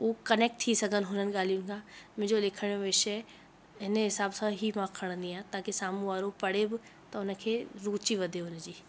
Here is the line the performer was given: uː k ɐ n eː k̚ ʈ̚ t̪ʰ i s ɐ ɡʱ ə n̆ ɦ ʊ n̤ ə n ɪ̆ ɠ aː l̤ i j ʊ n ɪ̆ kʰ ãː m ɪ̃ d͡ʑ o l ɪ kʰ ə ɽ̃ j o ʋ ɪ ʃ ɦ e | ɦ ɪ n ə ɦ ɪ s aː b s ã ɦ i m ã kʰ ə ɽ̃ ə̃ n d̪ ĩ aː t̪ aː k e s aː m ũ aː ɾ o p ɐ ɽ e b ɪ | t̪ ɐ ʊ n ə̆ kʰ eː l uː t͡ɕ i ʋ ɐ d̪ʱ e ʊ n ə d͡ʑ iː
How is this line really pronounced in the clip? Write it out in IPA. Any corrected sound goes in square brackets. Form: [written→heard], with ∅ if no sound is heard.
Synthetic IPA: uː k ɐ n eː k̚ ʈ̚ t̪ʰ i s ɐ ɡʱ ə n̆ ɦ ʊ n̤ ə n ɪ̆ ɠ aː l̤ i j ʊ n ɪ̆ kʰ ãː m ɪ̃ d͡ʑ o l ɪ kʰ ə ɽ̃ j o ʋ ɪ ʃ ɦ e | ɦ ɪ n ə ɦ ɪ s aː b s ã ɦ i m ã kʰ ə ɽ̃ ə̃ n d̪ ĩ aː t̪ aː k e s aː m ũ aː ɾ o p ɐ ɽ e b ɪ | t̪ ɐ ʊ n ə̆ kʰ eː [l→ɾ] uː t͡ɕ i ʋ ɐ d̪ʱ e ʊ n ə d͡ʑ iː